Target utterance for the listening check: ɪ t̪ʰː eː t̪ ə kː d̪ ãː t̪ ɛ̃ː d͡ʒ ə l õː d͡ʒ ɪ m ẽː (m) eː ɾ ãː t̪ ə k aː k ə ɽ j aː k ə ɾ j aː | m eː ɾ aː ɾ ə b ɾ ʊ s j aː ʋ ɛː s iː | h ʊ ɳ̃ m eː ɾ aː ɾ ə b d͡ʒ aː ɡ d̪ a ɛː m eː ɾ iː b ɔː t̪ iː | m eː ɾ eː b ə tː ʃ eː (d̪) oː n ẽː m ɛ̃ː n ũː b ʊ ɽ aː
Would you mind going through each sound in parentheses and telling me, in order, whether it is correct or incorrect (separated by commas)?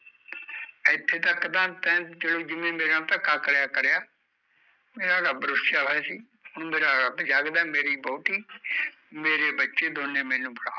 correct, correct